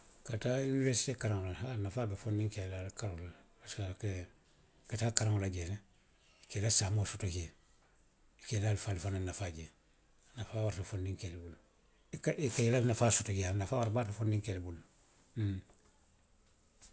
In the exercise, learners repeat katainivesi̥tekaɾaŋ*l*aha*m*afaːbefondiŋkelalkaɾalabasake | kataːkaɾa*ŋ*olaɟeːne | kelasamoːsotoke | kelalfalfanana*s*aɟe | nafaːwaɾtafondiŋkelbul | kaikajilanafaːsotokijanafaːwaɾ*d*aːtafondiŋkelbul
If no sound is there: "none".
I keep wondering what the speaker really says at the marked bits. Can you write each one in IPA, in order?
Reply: l, n, ŋ, f, b

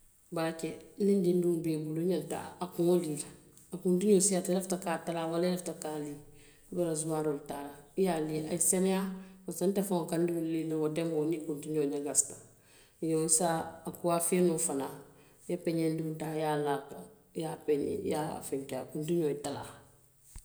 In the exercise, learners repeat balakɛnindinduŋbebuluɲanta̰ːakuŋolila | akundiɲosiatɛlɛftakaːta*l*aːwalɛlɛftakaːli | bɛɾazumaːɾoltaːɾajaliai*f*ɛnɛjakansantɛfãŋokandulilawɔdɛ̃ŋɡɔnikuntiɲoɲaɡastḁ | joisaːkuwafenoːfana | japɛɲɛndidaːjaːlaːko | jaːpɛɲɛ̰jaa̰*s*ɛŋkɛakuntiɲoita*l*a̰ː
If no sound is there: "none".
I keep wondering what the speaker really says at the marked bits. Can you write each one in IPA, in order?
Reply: l, s, f, l

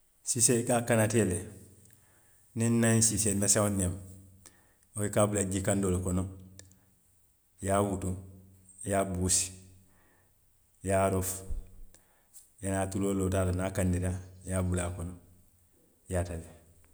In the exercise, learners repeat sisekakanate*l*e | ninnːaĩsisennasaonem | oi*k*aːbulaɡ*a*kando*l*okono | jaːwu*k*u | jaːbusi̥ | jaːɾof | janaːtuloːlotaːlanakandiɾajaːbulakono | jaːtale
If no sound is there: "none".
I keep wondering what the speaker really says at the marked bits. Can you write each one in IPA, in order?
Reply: l, k, i, l, t

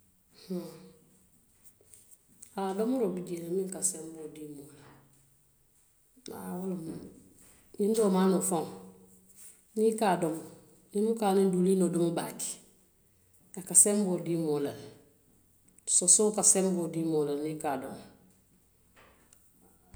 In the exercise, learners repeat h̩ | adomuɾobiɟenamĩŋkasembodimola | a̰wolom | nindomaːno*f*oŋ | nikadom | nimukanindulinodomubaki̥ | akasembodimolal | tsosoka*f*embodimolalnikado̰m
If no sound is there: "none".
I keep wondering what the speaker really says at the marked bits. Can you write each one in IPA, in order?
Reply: f, s

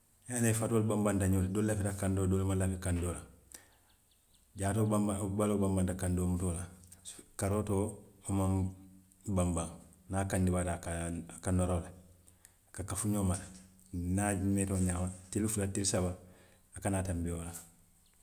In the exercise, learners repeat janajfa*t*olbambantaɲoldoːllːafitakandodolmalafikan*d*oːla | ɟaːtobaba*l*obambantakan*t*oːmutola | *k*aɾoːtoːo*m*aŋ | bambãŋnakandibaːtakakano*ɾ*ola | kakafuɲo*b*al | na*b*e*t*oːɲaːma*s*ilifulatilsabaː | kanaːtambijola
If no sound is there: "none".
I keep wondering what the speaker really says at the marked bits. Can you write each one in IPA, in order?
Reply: t, d, l, d, k, m, ɾ, m, m, t, t

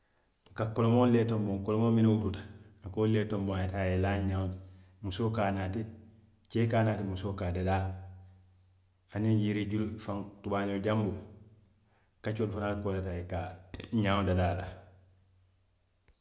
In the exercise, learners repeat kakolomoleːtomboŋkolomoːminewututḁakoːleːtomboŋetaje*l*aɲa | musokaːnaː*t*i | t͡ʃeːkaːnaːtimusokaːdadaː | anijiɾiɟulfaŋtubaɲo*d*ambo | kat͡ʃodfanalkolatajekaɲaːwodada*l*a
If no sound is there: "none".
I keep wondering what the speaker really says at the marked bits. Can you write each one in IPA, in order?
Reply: l, t, ɟ, l

